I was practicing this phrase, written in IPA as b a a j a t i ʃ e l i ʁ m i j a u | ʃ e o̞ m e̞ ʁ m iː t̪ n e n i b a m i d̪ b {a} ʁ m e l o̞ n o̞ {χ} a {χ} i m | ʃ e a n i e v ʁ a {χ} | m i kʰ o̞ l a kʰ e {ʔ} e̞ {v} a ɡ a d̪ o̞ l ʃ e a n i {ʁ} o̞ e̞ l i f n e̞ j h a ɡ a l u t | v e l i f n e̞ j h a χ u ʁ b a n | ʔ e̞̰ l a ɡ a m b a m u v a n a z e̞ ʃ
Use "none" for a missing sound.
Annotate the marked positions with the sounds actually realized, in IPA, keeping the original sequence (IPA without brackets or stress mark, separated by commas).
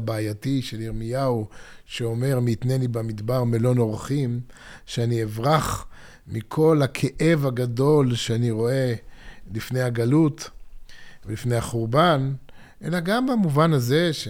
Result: a, ʁ, χ, χ, ʔ, v, ʁ